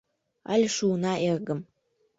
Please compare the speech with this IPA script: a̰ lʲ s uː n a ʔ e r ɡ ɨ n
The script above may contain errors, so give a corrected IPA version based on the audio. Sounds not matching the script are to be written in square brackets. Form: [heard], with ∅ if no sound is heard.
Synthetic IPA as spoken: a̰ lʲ [ʂ] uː n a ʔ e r ɡ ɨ [m]